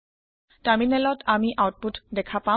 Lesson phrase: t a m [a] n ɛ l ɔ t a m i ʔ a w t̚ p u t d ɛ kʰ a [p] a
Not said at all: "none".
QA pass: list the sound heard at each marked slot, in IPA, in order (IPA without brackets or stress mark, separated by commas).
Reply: i, p